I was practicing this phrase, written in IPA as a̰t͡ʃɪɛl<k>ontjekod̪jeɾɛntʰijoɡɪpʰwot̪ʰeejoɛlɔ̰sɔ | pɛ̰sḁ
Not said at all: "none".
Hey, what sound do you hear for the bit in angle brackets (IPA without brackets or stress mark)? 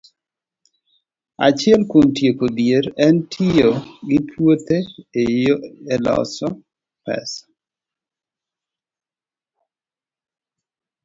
k